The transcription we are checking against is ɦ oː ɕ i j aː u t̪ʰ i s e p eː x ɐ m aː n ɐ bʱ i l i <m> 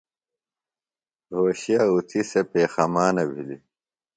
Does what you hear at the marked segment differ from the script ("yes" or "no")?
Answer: yes